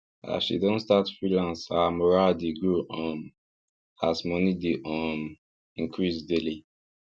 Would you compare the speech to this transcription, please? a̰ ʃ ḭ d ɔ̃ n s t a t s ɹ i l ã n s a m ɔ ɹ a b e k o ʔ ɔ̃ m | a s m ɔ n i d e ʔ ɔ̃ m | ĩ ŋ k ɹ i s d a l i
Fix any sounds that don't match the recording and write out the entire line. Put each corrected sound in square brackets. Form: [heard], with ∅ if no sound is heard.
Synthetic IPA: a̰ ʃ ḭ d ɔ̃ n s t a t [f] ɹ i l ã n s a m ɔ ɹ a [d] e [ɡ] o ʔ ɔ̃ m | a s m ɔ n i d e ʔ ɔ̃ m | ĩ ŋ k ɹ i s d [e] l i